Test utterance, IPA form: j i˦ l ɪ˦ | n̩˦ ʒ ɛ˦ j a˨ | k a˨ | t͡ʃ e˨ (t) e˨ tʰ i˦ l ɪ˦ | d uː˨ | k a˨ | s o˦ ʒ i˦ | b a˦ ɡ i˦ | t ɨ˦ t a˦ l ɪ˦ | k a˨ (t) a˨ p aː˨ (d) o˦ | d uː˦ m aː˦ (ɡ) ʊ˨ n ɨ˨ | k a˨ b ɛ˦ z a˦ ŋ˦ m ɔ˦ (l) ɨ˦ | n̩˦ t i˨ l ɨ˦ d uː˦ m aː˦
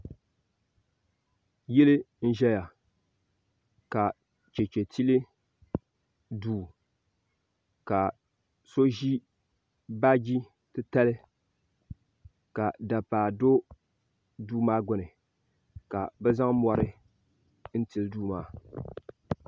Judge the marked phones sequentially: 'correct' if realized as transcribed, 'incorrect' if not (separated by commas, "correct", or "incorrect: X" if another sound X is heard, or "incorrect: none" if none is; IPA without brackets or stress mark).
incorrect: t͡ʃ, incorrect: d, correct, correct, incorrect: ɾ